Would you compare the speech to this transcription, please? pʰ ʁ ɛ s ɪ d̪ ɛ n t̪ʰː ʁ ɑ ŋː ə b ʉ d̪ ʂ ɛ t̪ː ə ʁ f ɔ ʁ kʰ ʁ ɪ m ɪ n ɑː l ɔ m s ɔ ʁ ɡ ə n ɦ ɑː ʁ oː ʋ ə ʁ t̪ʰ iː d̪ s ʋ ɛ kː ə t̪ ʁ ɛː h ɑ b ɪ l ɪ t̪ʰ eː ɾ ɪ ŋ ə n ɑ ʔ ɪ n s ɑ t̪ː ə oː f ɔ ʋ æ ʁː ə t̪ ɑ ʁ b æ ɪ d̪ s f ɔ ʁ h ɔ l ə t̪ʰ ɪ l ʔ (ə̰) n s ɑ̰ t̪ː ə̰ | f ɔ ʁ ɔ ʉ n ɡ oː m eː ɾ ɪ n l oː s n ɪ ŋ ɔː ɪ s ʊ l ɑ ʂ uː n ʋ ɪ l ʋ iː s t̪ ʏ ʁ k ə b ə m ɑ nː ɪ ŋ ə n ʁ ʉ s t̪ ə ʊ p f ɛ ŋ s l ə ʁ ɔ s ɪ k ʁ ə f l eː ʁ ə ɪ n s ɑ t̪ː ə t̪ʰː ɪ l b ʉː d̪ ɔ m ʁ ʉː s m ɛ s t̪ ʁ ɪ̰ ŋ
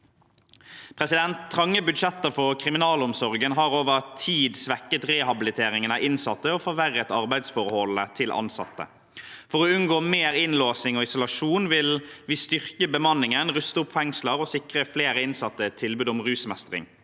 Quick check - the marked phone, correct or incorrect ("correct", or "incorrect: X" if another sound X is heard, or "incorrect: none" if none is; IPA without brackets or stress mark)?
incorrect: ɑ̰